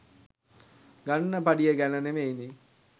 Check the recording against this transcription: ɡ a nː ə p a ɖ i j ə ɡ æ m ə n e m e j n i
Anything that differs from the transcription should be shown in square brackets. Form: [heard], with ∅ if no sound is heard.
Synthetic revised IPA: ɡ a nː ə p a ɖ i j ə ɡ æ [n] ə n e m e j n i